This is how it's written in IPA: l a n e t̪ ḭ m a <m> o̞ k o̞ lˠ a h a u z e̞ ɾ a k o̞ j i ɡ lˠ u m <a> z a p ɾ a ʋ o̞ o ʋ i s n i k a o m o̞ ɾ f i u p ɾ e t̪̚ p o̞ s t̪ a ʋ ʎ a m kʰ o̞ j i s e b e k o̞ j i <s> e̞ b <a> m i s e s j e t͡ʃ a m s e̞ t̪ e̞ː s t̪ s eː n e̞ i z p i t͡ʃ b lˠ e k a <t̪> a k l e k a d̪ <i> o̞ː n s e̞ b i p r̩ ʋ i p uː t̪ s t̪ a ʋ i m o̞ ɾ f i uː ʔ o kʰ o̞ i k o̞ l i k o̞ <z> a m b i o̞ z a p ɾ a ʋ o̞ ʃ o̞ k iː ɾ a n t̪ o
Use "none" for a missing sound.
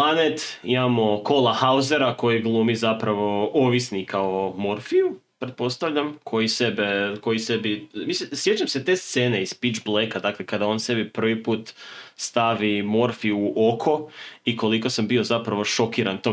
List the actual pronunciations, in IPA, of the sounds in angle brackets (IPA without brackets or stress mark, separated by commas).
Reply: m, i, s, i, d̪, a, s